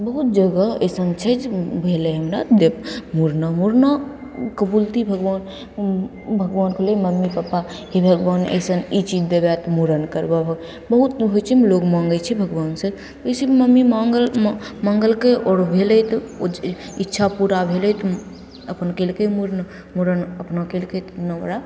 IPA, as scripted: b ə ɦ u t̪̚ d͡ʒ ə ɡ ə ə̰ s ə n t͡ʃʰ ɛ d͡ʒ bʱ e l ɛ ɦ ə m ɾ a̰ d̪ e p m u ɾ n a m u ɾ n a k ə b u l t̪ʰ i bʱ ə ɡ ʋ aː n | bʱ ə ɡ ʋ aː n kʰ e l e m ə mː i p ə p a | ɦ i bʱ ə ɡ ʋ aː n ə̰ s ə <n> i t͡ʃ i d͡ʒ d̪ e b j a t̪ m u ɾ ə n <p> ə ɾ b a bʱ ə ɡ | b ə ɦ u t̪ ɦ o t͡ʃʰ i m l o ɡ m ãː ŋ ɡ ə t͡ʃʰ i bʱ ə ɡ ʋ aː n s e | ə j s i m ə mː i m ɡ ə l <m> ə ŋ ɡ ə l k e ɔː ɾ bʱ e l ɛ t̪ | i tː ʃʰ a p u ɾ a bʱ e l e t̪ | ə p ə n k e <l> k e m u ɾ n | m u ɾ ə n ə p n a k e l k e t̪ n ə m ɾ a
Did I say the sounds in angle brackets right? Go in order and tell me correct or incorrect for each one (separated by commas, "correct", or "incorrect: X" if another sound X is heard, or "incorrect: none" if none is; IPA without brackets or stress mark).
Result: correct, incorrect: k, correct, correct